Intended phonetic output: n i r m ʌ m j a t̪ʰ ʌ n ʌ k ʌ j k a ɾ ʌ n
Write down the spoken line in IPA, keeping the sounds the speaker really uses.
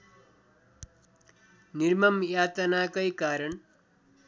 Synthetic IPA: n i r m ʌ m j a t̪ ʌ n a k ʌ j k a ɾ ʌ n